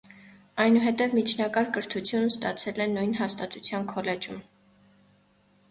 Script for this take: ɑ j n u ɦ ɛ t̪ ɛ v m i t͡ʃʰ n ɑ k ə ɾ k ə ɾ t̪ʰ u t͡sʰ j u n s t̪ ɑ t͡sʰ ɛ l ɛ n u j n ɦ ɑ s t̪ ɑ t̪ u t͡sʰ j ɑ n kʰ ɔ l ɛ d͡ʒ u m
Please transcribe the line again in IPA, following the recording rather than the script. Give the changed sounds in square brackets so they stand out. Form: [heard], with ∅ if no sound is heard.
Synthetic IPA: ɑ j n u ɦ ɛ t̪ ɛ v m i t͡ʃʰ n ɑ k [ɑ] ɾ k ə ɾ t̪ʰ u t͡sʰ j u n s t̪ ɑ t͡sʰ ɛ l ɛ n u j n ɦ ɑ s t̪ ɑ t̪ u t͡sʰ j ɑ n kʰ ɔ l ɛ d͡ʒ u m